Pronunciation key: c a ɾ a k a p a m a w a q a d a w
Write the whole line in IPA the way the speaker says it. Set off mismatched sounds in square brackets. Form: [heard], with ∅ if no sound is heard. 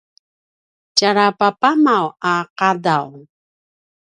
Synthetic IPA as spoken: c a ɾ a [p] a p a m a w a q a d a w